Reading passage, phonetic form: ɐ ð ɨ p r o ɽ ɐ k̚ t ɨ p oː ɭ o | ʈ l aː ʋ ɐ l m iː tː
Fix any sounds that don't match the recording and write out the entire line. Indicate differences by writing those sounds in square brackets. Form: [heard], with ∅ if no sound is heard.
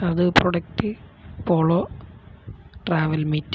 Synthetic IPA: ɐ ð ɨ p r o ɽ ɐ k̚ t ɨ p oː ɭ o | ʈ [r] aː ʋ ɐ l m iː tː